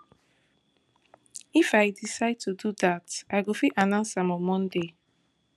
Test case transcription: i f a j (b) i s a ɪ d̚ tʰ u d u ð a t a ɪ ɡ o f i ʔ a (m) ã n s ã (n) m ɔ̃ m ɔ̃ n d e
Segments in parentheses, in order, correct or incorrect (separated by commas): incorrect, incorrect, incorrect